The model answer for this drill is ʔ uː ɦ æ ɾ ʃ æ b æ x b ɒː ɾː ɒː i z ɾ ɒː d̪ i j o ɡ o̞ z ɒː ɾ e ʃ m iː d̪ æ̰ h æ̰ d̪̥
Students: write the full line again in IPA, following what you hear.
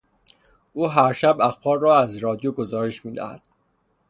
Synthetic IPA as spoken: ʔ uː ɦ æ ɾ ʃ æ b æ x b ɒː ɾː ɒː æ z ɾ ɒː d̪ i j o ɡ o̞ z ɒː ɾ e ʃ m iː d̪ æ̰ h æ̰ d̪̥